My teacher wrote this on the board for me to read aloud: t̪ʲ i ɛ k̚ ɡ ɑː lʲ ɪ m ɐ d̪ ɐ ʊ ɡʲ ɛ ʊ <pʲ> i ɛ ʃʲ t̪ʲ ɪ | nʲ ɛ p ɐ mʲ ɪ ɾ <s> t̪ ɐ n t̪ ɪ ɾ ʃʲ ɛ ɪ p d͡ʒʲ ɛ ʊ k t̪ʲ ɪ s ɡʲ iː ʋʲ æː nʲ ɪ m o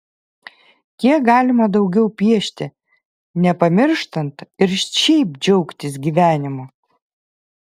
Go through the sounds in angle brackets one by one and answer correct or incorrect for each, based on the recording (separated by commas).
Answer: correct, incorrect